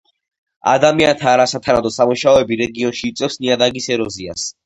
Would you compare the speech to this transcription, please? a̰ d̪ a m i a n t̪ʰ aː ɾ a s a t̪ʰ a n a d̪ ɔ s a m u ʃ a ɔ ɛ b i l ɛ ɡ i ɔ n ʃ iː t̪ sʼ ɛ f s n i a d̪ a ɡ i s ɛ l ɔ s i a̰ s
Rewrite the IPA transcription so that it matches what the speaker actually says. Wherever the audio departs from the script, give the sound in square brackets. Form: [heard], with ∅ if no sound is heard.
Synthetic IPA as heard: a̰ d̪ a m i a n t̪ʰ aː ɾ a s a t̪ʰ a n a d̪ ɔ s a m u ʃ a ɔ ɛ b i [ɾ] ɛ ɡ i ɔ n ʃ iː t̪ sʼ ɛ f s n i a d̪ a ɡ i s ɛ [ɾ] ɔ [z] i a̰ s